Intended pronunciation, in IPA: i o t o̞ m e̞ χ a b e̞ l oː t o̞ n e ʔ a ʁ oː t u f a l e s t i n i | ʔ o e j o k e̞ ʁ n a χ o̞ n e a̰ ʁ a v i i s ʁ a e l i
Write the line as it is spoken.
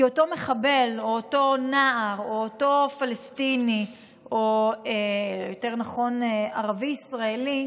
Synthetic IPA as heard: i o t o̞ m e̞ χ a b e̞ l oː t o̞ n a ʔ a ʁ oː t o f a l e s t i n i | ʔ o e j o t e̞ ʁ n a χ o̞ n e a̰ ʁ a v i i s ʁ a e l i